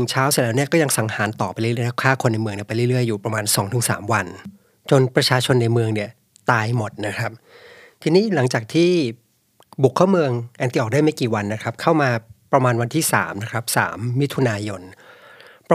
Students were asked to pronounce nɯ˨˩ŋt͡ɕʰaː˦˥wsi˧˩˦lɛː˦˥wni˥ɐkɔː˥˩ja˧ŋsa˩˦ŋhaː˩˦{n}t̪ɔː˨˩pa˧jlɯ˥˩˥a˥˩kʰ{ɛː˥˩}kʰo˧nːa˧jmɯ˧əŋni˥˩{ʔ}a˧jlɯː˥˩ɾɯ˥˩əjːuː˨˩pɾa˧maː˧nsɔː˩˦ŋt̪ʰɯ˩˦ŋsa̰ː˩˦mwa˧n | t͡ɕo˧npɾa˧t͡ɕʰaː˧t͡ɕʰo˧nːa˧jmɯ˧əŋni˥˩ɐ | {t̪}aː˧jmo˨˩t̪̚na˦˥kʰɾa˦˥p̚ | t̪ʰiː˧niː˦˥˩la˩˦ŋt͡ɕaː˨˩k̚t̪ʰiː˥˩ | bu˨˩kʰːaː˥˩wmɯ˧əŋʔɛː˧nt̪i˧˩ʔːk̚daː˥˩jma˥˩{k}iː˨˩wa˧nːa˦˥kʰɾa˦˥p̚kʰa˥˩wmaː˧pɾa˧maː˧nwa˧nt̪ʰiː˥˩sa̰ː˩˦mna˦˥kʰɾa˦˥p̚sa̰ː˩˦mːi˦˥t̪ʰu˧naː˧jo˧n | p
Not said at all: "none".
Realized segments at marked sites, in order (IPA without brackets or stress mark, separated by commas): n, aː˥˩, p, t̪, k